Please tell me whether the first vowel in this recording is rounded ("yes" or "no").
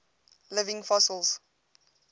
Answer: no